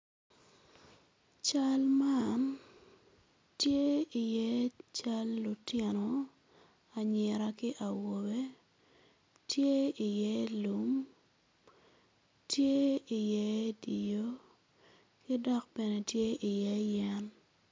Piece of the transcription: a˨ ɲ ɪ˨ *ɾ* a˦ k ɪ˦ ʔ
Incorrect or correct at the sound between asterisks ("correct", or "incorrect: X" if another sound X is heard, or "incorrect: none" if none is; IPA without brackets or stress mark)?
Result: correct